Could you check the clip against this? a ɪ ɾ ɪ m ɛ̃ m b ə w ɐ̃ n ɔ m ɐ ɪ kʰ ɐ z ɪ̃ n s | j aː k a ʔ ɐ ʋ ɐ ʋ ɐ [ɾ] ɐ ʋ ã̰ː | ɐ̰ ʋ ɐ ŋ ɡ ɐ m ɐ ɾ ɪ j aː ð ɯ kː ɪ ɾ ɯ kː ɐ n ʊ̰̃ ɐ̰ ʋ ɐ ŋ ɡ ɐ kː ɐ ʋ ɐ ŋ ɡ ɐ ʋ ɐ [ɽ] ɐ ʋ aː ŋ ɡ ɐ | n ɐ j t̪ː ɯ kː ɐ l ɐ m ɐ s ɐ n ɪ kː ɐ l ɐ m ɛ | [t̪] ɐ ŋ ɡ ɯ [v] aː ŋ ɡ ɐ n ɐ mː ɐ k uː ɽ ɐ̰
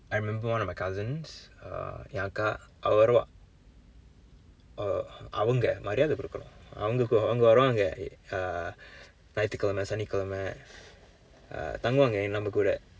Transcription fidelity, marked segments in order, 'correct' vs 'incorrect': correct, incorrect: ɾ, correct, incorrect: ʋ

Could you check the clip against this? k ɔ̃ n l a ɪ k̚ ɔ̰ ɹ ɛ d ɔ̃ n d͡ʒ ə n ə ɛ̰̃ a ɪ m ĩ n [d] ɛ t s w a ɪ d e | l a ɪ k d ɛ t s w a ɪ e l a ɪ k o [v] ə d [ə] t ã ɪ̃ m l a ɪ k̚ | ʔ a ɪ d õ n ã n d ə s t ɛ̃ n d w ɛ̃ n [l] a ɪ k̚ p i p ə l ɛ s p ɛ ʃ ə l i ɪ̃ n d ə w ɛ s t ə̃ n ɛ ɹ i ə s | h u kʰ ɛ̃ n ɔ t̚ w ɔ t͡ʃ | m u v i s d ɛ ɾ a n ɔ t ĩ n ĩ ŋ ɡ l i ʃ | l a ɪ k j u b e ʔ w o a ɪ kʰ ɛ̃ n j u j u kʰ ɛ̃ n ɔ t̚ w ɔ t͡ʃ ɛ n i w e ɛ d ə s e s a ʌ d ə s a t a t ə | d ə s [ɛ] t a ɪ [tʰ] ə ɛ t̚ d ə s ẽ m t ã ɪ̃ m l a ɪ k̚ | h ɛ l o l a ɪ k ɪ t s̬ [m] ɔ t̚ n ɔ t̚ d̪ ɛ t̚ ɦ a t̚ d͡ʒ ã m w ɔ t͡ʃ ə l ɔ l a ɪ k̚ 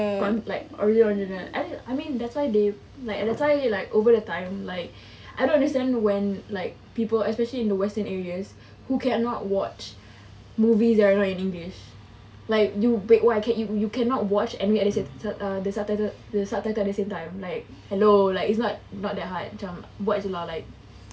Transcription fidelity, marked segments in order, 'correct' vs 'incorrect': correct, correct, correct, correct, incorrect: a, incorrect: t, incorrect: n

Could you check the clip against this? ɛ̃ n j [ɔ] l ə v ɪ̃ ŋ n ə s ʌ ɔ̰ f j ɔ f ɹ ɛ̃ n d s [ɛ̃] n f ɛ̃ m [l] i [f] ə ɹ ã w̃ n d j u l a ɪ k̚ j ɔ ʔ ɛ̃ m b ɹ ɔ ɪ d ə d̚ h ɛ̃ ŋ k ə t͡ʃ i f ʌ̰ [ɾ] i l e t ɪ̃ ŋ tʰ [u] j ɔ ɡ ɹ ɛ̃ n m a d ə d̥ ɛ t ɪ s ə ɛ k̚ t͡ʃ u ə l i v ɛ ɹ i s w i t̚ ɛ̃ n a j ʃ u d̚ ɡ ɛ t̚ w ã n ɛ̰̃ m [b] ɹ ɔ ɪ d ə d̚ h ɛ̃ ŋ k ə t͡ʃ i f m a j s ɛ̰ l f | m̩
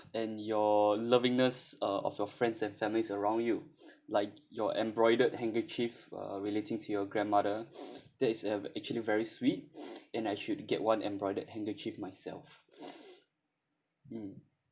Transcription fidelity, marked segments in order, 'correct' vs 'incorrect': correct, correct, correct, incorrect: s, incorrect: ɹ, correct, correct

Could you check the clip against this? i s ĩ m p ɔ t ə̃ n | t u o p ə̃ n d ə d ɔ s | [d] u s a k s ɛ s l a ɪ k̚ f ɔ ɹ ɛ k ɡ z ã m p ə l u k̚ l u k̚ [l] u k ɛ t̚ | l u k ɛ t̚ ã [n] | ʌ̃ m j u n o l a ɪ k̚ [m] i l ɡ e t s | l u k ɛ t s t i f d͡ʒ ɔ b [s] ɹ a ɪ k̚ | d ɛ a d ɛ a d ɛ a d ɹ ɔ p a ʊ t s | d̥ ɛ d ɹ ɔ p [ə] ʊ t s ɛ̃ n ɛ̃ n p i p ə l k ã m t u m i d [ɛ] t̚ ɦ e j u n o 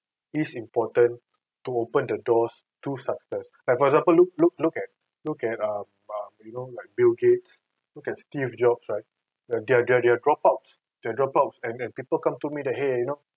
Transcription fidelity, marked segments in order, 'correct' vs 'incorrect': incorrect: t, correct, incorrect: m, incorrect: b, correct, incorrect: a, correct

